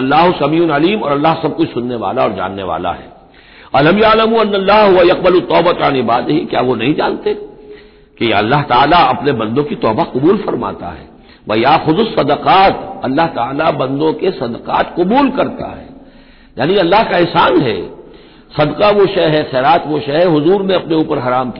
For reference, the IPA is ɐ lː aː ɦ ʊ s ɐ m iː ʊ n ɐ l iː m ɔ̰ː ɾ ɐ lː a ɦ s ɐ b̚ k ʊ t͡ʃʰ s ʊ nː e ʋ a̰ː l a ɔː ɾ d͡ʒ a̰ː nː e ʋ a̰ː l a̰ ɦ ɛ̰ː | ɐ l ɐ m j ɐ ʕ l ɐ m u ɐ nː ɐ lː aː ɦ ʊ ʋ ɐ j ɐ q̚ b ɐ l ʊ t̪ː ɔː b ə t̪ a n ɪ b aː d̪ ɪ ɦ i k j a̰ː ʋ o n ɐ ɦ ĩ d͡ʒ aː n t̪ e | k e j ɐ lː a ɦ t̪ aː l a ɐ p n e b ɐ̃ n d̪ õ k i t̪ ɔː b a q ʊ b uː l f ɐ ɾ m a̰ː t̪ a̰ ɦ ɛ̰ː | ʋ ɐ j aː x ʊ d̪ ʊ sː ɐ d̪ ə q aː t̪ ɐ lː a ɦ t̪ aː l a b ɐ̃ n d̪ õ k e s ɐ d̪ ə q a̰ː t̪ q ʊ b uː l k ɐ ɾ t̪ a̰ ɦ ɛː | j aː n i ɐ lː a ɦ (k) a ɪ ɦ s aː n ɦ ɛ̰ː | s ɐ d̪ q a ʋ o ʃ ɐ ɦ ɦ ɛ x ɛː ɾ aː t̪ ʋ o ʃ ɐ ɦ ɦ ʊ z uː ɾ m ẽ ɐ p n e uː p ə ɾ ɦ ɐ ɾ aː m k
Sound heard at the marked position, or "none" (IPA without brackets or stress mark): k